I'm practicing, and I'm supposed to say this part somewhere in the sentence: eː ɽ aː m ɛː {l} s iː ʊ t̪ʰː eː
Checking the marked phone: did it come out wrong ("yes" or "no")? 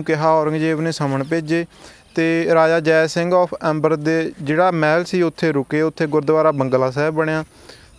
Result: no